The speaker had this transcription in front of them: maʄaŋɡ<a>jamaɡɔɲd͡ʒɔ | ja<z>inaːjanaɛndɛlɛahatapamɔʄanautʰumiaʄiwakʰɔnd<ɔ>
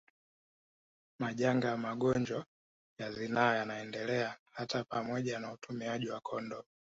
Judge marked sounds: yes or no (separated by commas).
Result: yes, yes, yes